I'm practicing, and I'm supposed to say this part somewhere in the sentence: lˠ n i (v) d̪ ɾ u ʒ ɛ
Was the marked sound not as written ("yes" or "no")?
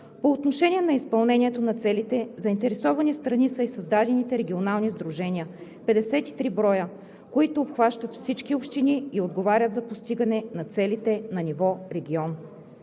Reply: yes